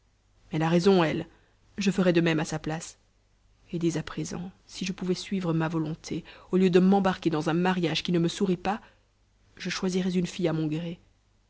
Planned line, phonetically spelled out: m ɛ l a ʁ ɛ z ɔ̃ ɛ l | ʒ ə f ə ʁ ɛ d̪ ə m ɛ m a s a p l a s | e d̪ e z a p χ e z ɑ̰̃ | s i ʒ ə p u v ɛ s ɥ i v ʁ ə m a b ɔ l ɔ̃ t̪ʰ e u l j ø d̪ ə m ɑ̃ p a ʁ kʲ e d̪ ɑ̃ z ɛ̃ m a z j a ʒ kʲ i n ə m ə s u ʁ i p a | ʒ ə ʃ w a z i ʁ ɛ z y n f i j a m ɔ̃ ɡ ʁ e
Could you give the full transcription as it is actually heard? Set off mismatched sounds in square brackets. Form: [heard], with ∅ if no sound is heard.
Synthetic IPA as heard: m ɛ l a ʁ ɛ z ɔ̃ ɛ l | ʒ ə f ə ʁ ɛ d̪ ə m ɛ m a s a p l a s | e d̪ e z a p χ e z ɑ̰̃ | s i ʒ ə p u v ɛ s ɥ i v ʁ ə m a [v] ɔ l ɔ̃ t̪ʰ e [o] l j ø d̪ ə m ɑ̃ [b] a ʁ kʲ e d̪ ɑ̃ z ɛ̃ m a [ʁ] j a ʒ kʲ i n ə m ə s u ʁ i p a | ʒ ə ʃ w a z i ʁ ɛ z y n f i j a m ɔ̃ ɡ ʁ e

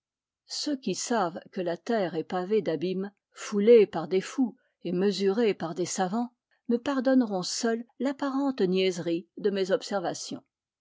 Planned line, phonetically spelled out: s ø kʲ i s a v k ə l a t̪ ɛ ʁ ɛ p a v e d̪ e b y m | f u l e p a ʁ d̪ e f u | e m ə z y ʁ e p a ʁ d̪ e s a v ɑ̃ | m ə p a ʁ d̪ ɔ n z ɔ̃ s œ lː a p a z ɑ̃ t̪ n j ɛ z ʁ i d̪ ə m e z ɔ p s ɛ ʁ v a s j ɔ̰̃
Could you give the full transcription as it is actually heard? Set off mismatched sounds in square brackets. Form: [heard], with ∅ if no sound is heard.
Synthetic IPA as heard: s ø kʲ i s a v k ə l a t̪ ɛ ʁ ɛ p a v e d̪ [a] b [i] m | f u l e p a ʁ d̪ e f u | e m ə z y ʁ e p a ʁ d̪ e s a v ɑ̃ | m ə p a ʁ d̪ ɔ n [ʁ] ɔ̃ s œ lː a p a [ʁ] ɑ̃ t̪ n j ɛ z ʁ i d̪ ə m e z ɔ p s ɛ ʁ v a s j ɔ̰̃

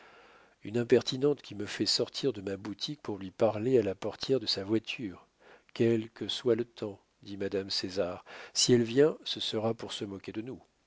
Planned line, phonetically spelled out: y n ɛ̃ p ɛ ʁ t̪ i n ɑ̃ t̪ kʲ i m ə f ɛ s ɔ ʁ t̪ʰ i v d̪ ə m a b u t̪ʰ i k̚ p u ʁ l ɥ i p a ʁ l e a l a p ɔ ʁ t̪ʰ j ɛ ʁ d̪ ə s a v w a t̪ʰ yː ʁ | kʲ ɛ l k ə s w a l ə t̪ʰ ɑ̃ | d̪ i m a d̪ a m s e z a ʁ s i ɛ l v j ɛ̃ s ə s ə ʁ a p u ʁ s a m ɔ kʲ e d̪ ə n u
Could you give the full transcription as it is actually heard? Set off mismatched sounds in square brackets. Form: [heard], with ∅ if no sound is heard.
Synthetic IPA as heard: y n ɛ̃ p ɛ ʁ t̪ i n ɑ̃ t̪ kʲ i m ə f ɛ s ɔ ʁ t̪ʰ i [ʁ] d̪ ə m a b u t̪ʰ i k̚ p u ʁ l ɥ i p a ʁ l e a l a p ɔ ʁ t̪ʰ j ɛ ʁ d̪ ə s a v w a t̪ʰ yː ʁ | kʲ ɛ l k ə s w a l ə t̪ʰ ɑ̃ | d̪ i m a d̪ a m s e z a ʁ s i ɛ l v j ɛ̃ s ə s ə ʁ a p u ʁ s [ə] m ɔ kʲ e d̪ ə n u

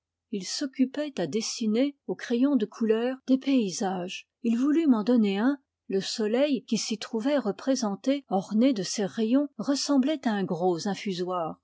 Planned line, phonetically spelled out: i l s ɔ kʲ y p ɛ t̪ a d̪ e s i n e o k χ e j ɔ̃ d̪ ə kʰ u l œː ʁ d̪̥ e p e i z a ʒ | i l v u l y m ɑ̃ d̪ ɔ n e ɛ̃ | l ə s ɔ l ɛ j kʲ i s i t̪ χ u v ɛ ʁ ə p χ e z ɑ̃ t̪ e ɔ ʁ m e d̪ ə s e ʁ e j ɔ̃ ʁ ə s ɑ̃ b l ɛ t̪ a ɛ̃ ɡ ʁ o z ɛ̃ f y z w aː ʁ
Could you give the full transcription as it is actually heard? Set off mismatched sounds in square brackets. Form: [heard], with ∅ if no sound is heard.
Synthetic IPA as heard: i l s ɔ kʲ y p ɛ t̪ a d̪ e s i n e o k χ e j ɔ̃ d̪ ə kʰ u l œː ʁ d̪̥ e p e i z a ʒ | i l v u l y m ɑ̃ d̪ ɔ n e ɛ̃ | l ə s ɔ l ɛ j kʲ i s i t̪ χ u v ɛ ʁ ə p χ e z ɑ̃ t̪ e ɔ ʁ [n] e d̪ ə s e ʁ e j ɔ̃ ʁ ə s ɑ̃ b l ɛ t̪ a ɛ̃ ɡ ʁ o z ɛ̃ f y z w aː ʁ

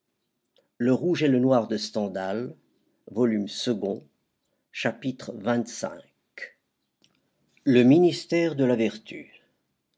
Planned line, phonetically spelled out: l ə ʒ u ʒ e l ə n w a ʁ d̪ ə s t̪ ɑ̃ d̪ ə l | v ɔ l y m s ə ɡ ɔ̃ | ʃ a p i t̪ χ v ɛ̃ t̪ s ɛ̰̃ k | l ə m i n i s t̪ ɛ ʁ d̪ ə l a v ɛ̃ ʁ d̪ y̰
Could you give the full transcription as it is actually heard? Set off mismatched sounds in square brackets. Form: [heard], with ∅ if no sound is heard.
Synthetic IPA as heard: l ə [ʁ] u ʒ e l ə n w a ʁ d̪ ə s t̪ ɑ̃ d̪ [a] l | v ɔ l y m s ə ɡ ɔ̃ | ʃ a p i t̪ χ v ɛ̃ t̪ s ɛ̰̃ k | l ə m i n i s t̪ ɛ ʁ d̪ ə l a v [ɛ] ʁ [t̪] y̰

